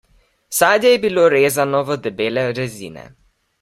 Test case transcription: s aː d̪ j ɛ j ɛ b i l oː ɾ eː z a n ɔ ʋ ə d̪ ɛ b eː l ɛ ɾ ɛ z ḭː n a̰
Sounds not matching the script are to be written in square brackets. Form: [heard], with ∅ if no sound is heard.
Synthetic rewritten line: s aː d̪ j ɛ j ɛ b i l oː ɾ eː z a n ɔ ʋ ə d̪ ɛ b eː l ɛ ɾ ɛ z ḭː n [ɛ̰]

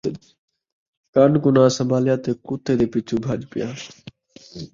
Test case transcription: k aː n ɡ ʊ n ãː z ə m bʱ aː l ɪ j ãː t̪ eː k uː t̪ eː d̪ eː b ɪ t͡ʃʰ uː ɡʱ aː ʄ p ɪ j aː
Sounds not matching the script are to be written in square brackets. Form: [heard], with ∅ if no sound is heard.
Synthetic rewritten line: k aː n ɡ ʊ n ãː [s] ə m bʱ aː l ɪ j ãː t̪ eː k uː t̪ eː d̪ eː [p] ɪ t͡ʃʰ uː [bʱ] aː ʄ p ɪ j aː

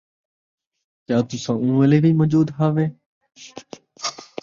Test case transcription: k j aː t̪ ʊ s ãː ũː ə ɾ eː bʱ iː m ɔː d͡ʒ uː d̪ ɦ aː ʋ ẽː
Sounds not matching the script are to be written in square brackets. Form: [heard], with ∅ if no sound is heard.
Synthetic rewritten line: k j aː t̪ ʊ s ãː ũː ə [l] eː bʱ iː m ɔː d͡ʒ uː d̪ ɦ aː ʋ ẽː

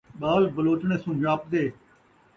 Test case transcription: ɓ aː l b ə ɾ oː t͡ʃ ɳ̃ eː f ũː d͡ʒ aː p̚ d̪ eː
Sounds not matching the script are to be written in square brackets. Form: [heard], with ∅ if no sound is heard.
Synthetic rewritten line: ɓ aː l b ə [l] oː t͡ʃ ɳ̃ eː [s] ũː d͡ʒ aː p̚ d̪ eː

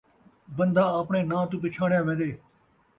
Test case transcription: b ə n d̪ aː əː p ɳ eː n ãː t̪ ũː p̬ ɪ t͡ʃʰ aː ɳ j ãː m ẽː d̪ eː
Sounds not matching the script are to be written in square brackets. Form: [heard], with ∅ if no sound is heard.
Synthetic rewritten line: b ə n d̪ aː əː p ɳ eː n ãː t̪ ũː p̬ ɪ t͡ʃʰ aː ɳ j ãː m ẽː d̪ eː

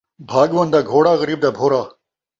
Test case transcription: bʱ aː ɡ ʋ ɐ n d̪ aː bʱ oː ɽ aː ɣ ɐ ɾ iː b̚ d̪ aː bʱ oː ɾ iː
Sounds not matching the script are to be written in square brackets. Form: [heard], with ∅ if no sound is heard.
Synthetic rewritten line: bʱ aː ɡ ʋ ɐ n d̪ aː [ɡʱ] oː ɽ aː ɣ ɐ ɾ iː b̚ d̪ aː bʱ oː ɾ [aː]

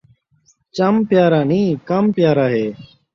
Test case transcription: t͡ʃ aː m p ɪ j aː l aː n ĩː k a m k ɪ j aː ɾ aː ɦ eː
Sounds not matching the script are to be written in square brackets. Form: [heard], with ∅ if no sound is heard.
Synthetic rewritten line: t͡ʃ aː m p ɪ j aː [ɾ] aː n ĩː k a m [p] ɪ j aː ɾ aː ɦ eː

